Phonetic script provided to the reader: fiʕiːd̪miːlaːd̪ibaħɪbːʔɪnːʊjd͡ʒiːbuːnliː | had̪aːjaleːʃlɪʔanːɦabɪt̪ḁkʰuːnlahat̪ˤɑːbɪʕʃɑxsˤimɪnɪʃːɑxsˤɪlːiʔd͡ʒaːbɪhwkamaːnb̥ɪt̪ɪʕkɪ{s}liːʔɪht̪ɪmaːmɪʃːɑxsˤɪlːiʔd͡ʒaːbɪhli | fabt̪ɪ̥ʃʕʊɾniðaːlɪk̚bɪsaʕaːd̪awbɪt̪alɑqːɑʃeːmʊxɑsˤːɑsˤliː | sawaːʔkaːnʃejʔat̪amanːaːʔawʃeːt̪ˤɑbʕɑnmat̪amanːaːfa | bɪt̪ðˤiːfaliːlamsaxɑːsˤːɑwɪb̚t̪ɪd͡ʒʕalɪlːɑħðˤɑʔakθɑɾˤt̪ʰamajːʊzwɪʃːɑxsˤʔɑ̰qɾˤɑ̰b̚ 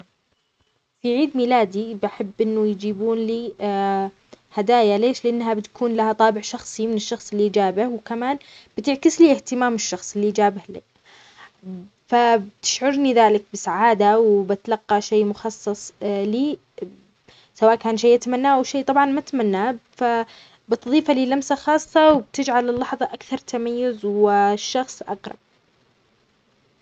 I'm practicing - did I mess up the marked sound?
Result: no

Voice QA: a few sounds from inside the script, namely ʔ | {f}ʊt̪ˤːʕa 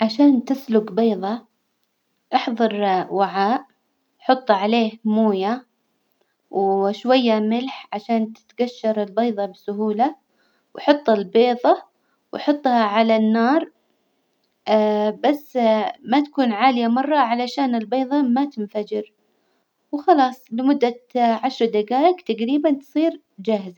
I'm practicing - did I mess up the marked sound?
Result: yes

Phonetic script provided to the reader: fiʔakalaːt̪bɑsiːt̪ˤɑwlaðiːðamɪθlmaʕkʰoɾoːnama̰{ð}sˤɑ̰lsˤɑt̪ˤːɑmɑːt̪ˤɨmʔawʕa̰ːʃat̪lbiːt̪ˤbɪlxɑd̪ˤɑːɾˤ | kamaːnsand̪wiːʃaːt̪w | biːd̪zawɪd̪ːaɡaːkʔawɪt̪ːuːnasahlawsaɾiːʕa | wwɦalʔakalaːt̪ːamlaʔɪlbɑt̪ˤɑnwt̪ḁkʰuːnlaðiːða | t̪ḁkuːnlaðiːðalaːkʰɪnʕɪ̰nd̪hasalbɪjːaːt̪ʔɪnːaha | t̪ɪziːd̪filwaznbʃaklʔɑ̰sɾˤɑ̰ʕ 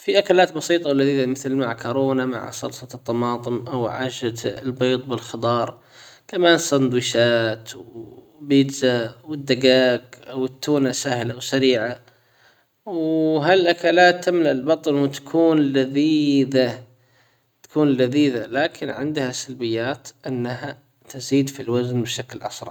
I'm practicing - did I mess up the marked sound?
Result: yes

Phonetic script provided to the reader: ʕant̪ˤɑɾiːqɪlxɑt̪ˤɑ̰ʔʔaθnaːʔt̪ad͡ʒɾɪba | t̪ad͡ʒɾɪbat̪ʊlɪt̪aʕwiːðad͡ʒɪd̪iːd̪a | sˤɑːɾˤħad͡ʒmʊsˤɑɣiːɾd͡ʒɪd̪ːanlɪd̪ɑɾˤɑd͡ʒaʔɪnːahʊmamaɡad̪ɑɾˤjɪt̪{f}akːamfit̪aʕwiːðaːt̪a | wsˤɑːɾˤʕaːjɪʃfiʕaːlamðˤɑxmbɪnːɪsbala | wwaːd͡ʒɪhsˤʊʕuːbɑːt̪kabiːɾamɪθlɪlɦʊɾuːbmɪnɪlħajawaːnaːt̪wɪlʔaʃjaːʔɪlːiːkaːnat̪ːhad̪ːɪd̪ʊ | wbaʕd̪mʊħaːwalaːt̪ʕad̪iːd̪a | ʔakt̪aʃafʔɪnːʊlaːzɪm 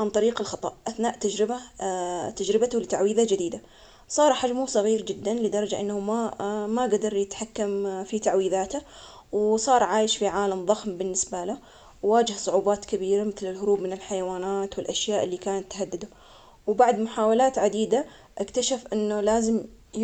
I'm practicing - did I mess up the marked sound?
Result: yes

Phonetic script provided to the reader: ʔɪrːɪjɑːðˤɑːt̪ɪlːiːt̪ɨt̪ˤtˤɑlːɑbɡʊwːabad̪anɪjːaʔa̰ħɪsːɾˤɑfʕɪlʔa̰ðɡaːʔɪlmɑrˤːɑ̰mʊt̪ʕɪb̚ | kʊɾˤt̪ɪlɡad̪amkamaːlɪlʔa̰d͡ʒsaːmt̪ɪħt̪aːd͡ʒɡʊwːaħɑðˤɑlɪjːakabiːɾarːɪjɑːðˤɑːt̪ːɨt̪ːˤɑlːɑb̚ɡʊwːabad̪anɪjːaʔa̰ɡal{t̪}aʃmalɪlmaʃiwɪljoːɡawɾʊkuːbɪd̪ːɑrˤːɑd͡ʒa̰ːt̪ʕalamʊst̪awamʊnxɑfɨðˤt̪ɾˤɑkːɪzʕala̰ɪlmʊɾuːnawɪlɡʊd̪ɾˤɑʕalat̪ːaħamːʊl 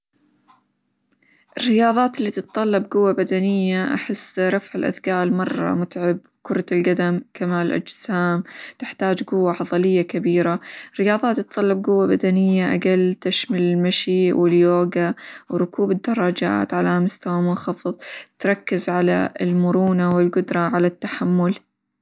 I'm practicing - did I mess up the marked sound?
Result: no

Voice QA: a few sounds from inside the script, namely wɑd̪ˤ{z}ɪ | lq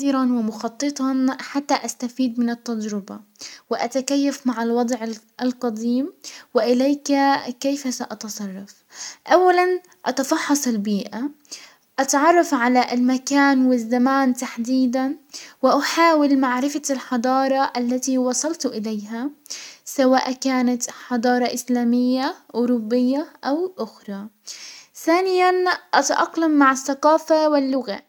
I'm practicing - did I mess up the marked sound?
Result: yes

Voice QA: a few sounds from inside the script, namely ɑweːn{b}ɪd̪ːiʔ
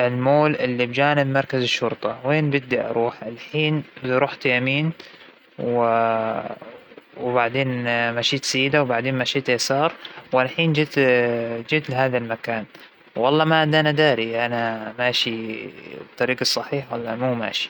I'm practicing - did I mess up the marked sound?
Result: no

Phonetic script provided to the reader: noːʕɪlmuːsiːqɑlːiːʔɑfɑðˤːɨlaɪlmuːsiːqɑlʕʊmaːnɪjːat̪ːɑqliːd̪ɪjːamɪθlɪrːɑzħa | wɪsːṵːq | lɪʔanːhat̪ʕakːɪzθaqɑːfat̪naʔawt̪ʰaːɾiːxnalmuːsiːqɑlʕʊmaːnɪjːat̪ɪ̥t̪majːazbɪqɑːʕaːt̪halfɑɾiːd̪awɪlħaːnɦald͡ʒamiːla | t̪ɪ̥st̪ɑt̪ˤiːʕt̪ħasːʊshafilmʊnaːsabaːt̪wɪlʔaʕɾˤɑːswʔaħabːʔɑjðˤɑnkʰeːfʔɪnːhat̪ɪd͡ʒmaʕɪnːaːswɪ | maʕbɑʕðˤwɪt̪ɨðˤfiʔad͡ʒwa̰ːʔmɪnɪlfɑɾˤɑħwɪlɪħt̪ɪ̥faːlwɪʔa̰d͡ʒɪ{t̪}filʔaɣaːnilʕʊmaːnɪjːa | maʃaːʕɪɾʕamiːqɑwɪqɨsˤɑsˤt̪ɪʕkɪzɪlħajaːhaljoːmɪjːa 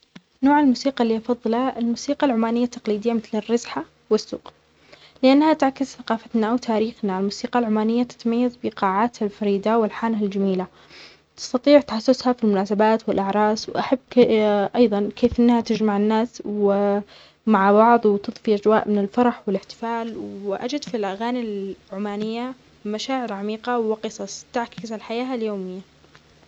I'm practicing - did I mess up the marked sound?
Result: yes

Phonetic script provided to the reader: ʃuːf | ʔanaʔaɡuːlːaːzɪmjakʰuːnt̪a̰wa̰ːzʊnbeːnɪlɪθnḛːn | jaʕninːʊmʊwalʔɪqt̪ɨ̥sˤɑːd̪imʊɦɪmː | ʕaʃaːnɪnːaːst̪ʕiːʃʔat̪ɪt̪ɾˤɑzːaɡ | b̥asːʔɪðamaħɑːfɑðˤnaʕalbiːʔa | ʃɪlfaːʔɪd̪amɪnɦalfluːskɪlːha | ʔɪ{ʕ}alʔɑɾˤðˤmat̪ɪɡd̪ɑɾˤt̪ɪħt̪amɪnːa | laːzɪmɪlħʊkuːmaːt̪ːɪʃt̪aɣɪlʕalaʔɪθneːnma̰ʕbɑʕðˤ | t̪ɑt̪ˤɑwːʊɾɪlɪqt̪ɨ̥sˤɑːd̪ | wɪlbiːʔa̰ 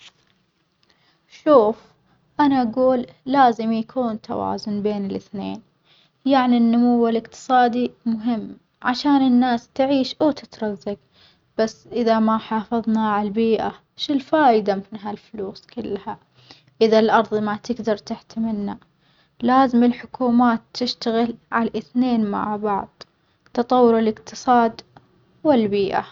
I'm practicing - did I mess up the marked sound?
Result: yes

